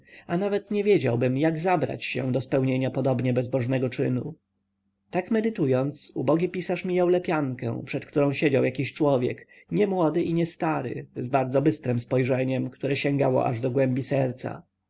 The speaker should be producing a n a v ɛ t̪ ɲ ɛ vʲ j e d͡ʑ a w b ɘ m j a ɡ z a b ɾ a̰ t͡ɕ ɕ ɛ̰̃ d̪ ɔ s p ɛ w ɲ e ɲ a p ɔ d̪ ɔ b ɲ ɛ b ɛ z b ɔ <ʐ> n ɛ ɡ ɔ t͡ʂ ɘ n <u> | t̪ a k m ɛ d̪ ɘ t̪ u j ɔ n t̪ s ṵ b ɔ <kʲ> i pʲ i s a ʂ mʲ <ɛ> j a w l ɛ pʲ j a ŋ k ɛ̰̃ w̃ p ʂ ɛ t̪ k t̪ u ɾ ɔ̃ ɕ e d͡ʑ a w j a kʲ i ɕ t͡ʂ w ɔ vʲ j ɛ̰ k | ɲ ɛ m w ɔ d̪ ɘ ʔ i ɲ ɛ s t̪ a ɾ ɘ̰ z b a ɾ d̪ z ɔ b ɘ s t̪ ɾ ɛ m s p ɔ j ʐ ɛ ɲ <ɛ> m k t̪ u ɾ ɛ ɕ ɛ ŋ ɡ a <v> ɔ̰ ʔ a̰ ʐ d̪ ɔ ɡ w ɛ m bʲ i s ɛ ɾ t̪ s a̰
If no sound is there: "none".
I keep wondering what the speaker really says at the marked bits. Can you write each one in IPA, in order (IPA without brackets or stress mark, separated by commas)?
ʐ, u, ɡʲ, i, ɛ, w